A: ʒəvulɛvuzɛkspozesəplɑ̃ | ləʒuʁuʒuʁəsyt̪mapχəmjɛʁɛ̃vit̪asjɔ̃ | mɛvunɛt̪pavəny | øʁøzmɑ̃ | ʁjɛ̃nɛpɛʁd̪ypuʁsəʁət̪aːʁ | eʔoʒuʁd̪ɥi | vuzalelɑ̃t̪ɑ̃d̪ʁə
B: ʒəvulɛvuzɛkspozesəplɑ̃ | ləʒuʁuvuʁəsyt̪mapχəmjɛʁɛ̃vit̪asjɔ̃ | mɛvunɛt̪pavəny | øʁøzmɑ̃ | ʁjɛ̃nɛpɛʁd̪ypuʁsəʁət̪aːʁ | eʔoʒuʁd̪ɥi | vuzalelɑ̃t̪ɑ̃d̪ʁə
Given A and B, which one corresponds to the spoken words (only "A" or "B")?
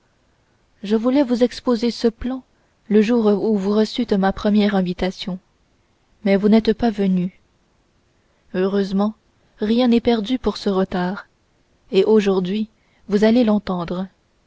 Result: B